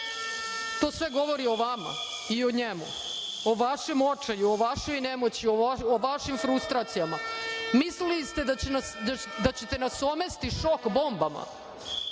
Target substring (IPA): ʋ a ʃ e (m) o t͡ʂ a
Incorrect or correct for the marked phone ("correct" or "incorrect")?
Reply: correct